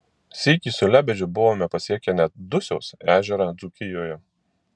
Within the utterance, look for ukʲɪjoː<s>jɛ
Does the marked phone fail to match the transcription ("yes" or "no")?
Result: yes